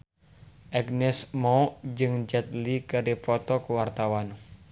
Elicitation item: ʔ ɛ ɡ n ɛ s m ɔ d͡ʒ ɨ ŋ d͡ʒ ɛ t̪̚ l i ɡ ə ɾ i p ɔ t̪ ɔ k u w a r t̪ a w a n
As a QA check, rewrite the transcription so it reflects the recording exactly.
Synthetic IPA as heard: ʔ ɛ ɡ n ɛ s m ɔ d͡ʒ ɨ ŋ d͡ʒ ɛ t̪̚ l i k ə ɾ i p ɔ t̪ ɔ k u w a r t̪ a w a n

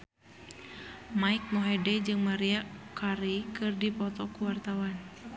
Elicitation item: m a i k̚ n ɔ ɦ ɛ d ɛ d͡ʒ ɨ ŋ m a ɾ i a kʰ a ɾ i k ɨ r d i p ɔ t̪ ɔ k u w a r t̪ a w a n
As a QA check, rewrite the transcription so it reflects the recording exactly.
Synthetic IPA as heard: m a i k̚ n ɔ ɦ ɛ d ɛ d͡ʒ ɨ ŋ m a ɾ i a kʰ a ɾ i k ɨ r d i p ɔ t̪ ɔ k u w a r t̪ a w a n

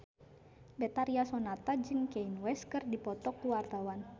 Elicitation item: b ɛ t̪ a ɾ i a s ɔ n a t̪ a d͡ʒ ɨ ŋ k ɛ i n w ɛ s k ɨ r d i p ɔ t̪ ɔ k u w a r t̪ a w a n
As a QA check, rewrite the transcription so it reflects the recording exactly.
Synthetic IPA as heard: b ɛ t̪ a ɾ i a s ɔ n a t̪ a d͡ʒ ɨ ŋ k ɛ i n w ɛ s k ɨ r d i p ɔ t̪ ɔ k u w a r t̪ a w a n

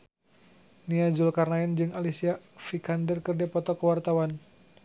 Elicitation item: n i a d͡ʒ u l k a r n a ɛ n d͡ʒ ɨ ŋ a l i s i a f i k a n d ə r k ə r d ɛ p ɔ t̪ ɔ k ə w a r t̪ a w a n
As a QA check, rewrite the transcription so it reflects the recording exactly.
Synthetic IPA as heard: n i a d͡ʒ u l k a r n a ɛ n d͡ʒ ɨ ŋ a l i s i a f i k a n d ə r k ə r d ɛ p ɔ t̪ ɔ k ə w a r t̪ a w a n

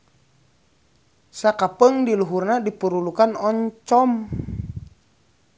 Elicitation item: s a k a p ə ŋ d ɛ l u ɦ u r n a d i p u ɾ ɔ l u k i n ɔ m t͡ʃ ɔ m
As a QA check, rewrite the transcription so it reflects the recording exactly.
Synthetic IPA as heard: s a k a p ə ŋ d i l u ɦ u r n a d i p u ɾ u l u k a n ɔ ɲ t͡ʃ ɔ m

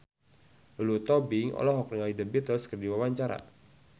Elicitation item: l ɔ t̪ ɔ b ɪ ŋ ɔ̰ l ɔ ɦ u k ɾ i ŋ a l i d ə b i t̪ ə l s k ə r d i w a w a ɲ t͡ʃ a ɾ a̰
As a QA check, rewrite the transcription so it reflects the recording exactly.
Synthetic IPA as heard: l u t̪ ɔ b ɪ ŋ ɔ̰ l ɔ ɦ ɔ k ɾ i ŋ a l i d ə b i t̪ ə l s k ə r d i w a w a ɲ t͡ʃ a ɾ a̰

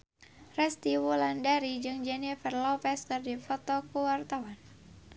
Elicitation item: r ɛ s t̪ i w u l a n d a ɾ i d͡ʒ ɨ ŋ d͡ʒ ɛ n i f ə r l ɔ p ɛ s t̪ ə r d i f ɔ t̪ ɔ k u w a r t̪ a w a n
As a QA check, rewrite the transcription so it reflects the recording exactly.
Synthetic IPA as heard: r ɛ s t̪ i w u l a n d a ɾ i d͡ʒ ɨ ŋ d͡ʒ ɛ n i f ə r l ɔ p ɛ s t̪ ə r d i f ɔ t̪ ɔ k u w a r t̪ a w a n

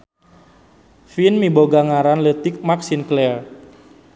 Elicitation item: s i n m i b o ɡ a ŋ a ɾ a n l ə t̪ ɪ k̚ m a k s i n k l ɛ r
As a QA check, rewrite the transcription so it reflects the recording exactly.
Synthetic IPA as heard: f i n m i b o ɡ a ŋ a ɾ a n l ə t̪ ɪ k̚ m a k s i n k l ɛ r

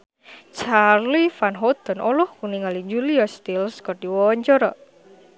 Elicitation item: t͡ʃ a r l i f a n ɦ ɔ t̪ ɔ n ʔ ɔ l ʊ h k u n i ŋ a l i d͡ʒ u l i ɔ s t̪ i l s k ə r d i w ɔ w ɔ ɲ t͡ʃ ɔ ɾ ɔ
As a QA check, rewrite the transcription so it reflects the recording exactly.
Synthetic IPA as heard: t͡ʃ a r l i f a n ɦ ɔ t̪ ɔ n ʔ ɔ l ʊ h k u n i ŋ a l i d͡ʒ u l i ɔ s t̪ i l s k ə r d i w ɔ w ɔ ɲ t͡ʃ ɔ ɾ ɔ

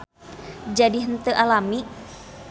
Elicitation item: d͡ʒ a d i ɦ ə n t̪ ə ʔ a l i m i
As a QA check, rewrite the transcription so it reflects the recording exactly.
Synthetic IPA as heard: d͡ʒ a d i ɦ ə n t̪ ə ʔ a l a m i

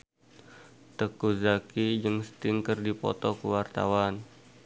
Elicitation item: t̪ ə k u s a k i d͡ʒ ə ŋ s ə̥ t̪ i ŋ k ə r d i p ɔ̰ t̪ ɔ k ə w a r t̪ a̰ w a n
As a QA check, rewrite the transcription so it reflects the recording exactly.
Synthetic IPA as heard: t̪ ə k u z a k i d͡ʒ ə ŋ s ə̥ t̪ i ŋ k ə r d i p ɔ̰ t̪ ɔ k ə w a r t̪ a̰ w a n

